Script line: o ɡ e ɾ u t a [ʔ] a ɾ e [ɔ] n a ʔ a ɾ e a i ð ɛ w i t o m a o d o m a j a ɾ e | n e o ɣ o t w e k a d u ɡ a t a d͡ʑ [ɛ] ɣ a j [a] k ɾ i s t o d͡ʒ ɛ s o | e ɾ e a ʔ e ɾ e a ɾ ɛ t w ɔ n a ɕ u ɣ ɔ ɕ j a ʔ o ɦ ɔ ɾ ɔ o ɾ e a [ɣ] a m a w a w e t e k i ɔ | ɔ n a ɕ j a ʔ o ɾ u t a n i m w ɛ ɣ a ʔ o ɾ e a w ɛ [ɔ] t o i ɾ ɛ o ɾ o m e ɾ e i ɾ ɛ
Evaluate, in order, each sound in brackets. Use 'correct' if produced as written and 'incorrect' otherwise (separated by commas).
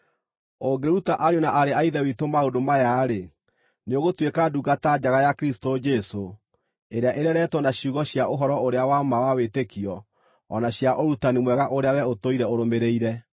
correct, incorrect, incorrect, correct, incorrect, incorrect